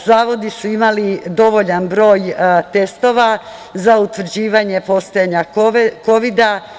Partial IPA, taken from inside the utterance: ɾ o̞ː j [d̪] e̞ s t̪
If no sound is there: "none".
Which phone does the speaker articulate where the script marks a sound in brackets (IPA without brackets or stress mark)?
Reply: t̪